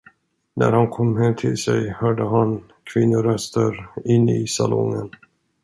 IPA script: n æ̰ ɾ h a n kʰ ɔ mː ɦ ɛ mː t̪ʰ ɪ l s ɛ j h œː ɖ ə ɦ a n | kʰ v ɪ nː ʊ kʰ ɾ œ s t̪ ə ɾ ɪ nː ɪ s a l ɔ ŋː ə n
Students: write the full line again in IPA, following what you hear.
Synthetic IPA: n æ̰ ɾ h a n kʰ ɔ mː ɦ ɛ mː t̪ʰ ɪ l s ɛ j h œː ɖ ə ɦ a n | kʰ v ɪ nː ʊ ɾ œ s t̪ ə ɾ ɪ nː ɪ s a l ɔ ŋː ə n

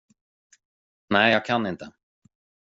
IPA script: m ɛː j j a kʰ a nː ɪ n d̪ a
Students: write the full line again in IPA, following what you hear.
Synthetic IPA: n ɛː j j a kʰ a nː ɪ n t̪ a

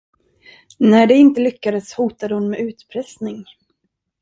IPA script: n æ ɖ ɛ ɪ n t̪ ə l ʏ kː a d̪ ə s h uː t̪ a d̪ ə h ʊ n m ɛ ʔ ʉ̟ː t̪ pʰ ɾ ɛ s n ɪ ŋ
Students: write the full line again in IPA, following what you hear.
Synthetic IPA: n æ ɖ ɛ ɪ n t̪ ə l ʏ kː a d̪ ə s h uː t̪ a d̪ ə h ʊ n m ɛ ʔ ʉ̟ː t̪ pʰ ɾ ɛ s n ɪ ŋ

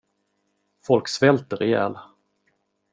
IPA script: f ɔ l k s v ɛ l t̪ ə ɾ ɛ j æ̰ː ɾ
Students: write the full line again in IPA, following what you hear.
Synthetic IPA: f ɔ l k s v ɛ l t̪ ə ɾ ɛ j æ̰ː l

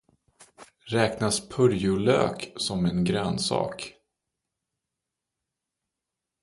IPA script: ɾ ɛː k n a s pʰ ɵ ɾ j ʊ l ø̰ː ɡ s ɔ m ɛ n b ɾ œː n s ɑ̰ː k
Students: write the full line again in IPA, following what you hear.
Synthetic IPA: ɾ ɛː k n a s pʰ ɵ ɾ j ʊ l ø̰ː k s ɔ m ɛ n ɡ ɾ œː n s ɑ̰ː k

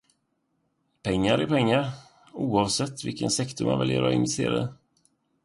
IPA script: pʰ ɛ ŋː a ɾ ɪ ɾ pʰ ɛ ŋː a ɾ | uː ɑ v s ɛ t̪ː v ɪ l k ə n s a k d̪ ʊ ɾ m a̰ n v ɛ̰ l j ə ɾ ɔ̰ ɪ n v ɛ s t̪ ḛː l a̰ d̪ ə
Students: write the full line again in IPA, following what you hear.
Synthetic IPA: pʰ ɛ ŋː a ɾ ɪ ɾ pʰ ɛ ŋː a ɾ | uː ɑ v s ɛ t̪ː v ɪ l k ə n s ɛ k t̪ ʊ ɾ m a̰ n v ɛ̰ l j ə ɾ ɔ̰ ɪ n v ɛ s t̪ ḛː ɾ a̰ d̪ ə

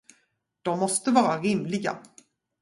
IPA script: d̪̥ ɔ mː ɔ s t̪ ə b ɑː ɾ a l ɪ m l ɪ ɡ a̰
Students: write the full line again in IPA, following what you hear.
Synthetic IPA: d̪̥ ɔ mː ɔ s t̪ ə v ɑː ɾ a ɾ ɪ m l ɪ ɡ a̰

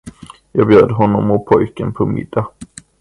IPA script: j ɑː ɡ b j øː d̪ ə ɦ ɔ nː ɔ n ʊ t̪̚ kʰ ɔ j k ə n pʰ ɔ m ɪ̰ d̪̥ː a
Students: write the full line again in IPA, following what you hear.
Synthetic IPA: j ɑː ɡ b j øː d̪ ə ɦ ɔ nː ɔ m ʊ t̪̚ pʰ ɔ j k ə n pʰ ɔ m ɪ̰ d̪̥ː a

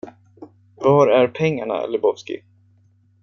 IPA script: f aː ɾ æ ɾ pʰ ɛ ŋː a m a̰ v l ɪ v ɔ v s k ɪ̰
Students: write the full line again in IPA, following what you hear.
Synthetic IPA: v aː ɾ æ ɾ pʰ ɛ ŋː a ɳ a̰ l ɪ b ɔ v s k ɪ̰

